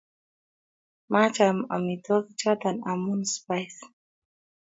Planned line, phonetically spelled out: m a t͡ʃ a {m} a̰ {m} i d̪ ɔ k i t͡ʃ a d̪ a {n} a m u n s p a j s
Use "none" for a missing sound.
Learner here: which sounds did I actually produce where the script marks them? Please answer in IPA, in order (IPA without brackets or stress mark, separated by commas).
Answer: m, m, n